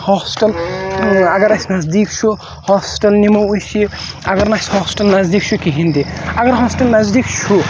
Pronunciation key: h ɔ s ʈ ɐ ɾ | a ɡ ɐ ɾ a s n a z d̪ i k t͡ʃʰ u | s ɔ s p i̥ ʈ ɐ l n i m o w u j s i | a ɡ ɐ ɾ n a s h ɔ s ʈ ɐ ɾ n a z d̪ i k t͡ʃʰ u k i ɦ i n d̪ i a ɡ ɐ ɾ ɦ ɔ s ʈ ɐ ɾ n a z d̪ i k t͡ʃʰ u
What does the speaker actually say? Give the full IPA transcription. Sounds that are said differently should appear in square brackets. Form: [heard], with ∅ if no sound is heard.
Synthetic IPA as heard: h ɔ s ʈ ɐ [l] | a ɡ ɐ ɾ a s n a z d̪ i k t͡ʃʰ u | [h] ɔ s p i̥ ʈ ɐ l n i m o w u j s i | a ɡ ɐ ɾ n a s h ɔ s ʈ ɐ [l] n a z d̪ i k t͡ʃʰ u k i ɦ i n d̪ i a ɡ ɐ ɾ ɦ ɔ s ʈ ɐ [l] n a z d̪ i k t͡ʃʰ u